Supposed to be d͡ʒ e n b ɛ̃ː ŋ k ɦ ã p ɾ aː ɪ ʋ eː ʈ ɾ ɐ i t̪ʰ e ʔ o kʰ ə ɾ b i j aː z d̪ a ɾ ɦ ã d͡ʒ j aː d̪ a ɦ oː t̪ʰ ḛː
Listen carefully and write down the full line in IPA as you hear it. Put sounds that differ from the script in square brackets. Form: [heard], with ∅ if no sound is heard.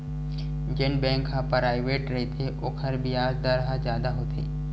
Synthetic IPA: d͡ʒ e n b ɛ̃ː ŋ k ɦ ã p ɾ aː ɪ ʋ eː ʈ ɾ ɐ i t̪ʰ e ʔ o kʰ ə ɾ b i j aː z d̪ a ɾ ɦ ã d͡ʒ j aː d̪ a ɦ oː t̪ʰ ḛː